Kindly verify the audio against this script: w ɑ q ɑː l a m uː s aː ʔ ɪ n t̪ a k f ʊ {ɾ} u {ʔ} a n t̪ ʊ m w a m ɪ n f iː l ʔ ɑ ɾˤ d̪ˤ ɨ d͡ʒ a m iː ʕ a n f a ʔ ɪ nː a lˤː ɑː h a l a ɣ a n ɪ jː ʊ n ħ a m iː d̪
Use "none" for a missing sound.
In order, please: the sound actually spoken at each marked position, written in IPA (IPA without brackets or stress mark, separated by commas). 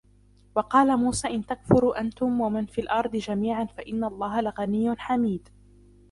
ɾ, ʔ